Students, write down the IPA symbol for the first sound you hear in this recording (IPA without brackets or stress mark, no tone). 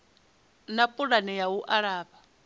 n